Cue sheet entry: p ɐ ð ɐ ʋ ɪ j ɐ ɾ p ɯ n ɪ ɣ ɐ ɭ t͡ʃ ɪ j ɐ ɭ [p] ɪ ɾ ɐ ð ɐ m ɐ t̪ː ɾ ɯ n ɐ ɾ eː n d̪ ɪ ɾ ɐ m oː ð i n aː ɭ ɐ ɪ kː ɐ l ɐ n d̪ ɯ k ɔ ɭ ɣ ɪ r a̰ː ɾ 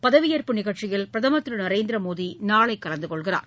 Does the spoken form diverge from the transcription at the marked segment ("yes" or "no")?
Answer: no